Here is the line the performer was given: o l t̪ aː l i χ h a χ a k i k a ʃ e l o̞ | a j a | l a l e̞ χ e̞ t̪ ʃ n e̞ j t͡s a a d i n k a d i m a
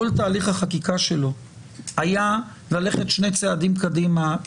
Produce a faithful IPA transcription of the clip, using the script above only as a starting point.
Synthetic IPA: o l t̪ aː l i χ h a χ a k i k a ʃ e l o̞ | a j a | l a l e̞ χ e̞ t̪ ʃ n e̞ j t͡s e a d i m k a d i m a